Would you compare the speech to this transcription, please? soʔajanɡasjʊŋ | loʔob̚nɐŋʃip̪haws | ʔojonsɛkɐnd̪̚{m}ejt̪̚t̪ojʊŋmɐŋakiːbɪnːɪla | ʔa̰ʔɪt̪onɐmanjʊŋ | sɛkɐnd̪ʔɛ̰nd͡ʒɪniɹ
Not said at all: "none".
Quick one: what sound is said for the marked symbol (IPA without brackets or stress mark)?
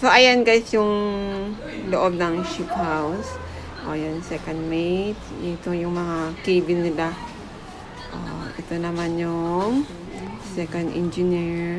m